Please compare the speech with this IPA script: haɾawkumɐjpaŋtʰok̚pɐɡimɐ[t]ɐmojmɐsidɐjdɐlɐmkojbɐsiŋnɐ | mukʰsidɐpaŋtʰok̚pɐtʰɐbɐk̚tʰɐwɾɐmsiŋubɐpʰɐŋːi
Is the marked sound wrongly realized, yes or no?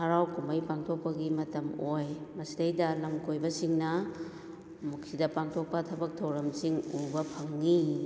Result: no